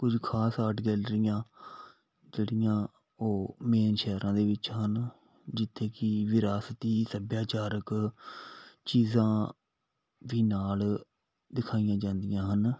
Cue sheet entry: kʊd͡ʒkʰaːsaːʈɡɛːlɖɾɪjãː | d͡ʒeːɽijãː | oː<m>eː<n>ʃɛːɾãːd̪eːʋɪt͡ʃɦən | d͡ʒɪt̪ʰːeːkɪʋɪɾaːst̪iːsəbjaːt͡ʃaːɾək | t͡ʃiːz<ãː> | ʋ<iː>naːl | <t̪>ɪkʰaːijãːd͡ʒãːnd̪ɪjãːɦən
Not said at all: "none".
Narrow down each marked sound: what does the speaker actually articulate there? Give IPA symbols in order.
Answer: m, n, ãː, iː, d̪

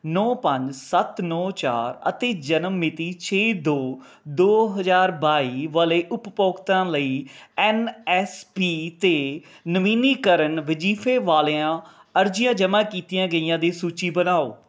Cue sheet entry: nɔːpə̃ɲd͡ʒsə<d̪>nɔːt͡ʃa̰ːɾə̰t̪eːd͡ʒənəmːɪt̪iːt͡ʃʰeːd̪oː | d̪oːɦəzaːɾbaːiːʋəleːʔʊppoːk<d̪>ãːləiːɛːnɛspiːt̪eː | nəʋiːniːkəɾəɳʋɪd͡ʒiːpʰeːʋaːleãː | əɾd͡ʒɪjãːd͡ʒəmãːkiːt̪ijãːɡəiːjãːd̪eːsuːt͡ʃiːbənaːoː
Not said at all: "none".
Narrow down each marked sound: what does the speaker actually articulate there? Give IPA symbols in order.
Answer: t̪, t̪

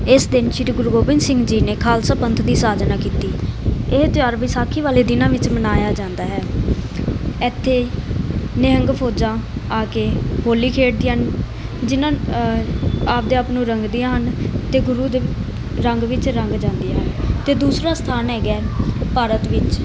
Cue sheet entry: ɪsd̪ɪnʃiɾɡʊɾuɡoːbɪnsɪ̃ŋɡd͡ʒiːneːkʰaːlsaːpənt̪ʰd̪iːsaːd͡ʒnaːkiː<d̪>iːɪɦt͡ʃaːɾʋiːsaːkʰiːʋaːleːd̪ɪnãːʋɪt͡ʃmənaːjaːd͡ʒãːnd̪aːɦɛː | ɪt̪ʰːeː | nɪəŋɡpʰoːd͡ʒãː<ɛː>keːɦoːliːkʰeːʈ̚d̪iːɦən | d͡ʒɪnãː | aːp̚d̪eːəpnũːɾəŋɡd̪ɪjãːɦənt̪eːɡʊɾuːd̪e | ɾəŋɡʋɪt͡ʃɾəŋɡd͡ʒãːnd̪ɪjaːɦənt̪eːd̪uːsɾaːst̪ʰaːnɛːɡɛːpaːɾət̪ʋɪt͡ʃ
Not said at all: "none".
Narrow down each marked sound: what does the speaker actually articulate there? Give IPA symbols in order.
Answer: t̪, aː

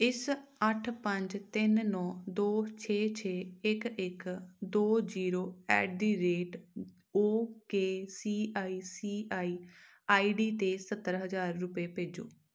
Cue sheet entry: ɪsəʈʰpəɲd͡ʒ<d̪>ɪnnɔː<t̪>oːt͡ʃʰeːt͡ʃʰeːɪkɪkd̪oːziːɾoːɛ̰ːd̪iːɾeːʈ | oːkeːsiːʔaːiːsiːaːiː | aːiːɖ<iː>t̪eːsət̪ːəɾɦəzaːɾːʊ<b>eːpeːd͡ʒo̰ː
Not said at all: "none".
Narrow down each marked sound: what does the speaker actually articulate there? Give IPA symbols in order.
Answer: t̪, d̪, iː, p

